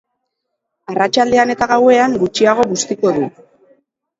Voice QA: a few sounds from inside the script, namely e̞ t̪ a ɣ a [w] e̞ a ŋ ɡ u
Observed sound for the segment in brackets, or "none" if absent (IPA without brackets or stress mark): w